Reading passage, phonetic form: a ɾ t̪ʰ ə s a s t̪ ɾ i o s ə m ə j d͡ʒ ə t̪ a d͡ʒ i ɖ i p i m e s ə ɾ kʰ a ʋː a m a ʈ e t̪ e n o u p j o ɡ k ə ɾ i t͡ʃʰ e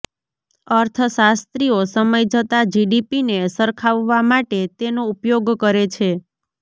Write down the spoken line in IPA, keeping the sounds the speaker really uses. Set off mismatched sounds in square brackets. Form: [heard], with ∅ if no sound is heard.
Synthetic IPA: [ə] ɾ t̪ʰ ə s a s t̪ ɾ i o s ə m ə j d͡ʒ ə t̪ a d͡ʒ i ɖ i p i [n] e s ə ɾ kʰ a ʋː a m a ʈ e t̪ e n o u p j o ɡ k ə ɾ [e] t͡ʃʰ e